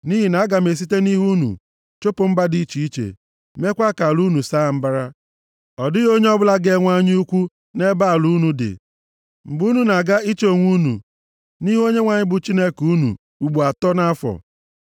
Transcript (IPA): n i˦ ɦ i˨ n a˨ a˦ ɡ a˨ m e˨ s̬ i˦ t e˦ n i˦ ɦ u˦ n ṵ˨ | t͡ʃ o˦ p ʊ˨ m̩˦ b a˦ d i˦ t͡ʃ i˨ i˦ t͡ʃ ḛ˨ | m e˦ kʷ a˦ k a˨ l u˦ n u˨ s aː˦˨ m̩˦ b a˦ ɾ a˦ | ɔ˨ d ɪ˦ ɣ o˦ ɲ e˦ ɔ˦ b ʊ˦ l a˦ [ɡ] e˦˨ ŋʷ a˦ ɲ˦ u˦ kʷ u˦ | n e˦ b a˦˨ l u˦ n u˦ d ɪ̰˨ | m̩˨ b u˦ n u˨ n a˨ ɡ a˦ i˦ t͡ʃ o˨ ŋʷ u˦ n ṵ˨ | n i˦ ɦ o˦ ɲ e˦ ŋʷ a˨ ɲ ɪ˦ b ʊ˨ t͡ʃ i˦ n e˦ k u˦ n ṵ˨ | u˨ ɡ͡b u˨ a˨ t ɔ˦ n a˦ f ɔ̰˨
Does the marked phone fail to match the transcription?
no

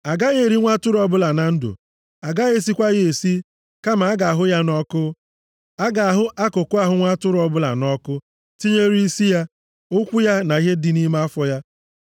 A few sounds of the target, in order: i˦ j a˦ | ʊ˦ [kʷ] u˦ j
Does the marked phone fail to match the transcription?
no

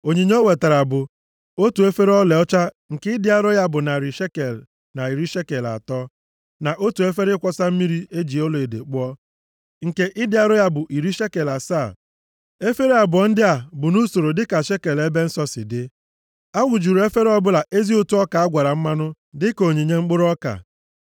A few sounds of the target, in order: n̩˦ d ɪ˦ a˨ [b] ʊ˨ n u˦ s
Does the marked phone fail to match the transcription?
no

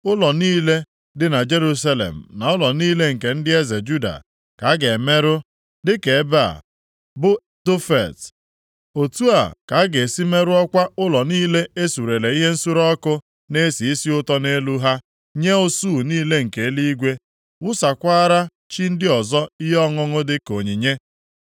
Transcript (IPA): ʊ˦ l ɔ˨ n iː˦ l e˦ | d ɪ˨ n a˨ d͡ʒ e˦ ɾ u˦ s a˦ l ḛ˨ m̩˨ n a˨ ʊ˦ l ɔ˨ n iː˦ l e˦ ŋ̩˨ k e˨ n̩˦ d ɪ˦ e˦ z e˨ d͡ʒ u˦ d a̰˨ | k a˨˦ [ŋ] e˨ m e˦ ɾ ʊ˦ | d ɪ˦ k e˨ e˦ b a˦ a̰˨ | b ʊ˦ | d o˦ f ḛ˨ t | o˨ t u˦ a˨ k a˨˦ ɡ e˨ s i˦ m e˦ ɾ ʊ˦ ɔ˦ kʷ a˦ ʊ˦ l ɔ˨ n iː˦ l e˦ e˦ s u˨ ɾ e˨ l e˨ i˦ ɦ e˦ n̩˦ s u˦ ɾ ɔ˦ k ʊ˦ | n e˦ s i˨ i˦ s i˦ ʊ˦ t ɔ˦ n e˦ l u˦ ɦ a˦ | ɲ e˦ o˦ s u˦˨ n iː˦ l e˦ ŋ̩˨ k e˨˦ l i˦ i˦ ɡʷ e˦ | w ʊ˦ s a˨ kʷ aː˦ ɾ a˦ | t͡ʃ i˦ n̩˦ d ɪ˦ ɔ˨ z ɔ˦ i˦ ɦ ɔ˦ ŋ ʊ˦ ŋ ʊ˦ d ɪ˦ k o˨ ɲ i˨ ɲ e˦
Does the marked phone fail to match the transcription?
yes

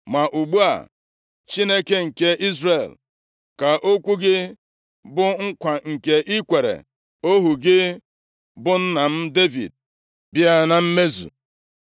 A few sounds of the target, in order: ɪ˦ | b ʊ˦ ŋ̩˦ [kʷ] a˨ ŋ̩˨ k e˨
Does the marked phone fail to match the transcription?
no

